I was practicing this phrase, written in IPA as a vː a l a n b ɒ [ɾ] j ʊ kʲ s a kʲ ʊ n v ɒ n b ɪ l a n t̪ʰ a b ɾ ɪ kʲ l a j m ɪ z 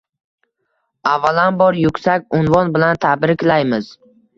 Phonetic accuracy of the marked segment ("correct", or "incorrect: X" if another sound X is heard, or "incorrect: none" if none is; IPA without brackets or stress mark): correct